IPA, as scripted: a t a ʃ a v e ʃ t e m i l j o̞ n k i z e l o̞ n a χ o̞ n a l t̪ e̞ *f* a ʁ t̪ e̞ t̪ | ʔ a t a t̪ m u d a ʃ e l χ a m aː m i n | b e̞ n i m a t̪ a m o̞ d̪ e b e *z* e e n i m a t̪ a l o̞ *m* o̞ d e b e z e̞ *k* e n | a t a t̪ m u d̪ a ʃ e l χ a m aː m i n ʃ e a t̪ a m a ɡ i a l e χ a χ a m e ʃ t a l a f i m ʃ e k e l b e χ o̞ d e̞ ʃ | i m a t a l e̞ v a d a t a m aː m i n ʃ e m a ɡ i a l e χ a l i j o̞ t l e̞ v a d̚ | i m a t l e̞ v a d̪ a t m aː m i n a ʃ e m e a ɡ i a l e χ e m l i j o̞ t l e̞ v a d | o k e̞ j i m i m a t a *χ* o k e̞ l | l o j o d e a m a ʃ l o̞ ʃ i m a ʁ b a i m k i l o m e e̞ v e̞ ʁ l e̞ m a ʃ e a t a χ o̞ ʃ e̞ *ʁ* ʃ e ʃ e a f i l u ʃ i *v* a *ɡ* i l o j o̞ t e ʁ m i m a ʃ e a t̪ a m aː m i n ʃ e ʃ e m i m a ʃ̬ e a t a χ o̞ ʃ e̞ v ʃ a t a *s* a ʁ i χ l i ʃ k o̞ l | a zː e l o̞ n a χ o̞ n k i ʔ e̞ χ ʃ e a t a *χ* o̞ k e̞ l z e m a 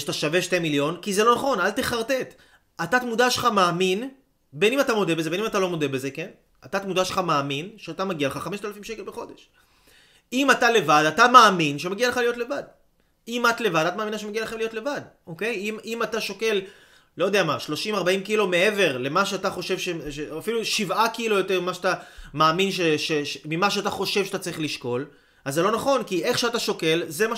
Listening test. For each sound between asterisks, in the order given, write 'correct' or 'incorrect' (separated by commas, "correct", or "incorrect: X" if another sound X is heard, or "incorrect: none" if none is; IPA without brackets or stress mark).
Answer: incorrect: χ, correct, correct, correct, incorrect: ʃ, incorrect: v, correct, incorrect: k, incorrect: t͡s, incorrect: ʃ